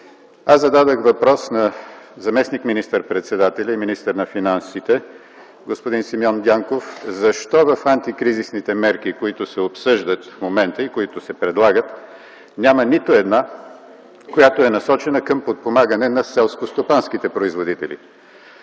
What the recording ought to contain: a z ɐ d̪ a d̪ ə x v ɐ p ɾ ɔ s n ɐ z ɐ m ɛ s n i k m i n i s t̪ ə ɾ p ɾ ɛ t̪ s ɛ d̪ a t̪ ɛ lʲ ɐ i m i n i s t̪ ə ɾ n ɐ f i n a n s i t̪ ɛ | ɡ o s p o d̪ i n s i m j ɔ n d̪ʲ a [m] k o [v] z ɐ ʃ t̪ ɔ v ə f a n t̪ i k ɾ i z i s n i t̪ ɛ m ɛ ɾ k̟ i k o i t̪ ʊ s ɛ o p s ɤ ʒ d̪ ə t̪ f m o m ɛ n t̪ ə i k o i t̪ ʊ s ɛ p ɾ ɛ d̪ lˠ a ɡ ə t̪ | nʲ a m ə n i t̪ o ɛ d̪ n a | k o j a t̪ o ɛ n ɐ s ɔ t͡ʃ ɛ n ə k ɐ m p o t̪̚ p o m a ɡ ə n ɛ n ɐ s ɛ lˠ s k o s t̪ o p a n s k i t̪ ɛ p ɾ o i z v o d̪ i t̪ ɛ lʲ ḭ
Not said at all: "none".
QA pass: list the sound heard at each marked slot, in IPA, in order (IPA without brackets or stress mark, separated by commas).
ŋ, f